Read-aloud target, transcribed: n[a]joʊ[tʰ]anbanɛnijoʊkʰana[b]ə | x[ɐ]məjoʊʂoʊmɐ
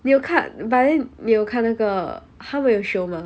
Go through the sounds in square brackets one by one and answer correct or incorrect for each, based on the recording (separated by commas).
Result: incorrect, incorrect, incorrect, incorrect